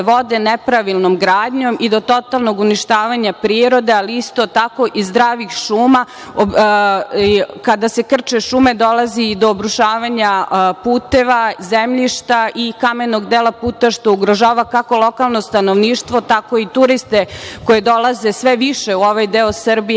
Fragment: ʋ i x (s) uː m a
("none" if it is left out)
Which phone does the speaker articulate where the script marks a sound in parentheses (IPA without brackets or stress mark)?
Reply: ʃ